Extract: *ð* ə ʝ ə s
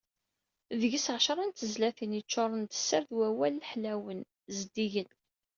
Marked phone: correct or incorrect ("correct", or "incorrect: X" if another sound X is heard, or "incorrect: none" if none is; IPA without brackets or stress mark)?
correct